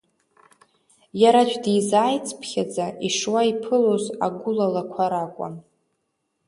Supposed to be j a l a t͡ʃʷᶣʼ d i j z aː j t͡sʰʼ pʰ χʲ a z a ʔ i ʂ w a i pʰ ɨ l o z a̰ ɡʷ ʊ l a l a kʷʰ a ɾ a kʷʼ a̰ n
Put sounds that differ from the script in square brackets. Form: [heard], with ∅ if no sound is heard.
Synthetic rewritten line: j a [ɾ] a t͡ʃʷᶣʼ d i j z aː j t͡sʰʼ pʰ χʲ a [d͡z] a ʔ i ʂ w a i pʰ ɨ l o z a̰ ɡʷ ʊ l a l a kʷʰ a ɾ a kʷʼ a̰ n